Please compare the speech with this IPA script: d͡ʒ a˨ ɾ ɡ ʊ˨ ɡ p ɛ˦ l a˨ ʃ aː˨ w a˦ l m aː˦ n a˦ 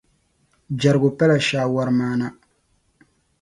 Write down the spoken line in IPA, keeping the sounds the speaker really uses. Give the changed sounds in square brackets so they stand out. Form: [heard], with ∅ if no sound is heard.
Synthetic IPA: d͡ʒ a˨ ɾ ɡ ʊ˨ [∅] p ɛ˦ l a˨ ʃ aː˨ w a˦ [ɾ] m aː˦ n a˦